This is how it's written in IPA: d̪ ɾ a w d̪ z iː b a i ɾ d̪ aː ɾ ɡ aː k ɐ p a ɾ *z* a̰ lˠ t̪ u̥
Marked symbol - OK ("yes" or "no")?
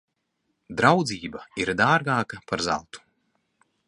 yes